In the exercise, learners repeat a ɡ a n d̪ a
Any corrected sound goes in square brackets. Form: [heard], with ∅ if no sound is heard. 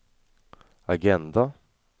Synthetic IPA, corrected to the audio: a ɡ [ɛ] n d̪ a